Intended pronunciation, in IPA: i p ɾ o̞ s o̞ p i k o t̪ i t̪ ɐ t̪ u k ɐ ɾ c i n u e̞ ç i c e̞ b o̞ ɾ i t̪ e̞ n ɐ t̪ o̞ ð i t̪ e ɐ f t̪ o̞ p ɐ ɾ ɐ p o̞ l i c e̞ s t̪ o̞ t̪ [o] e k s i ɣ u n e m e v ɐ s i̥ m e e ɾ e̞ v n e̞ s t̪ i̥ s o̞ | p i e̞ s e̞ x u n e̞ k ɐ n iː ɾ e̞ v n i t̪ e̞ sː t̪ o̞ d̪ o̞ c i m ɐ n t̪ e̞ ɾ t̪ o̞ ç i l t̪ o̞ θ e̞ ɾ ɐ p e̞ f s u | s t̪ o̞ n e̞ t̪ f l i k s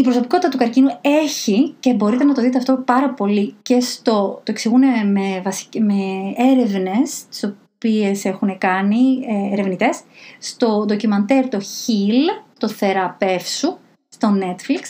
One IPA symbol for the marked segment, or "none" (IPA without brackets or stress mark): o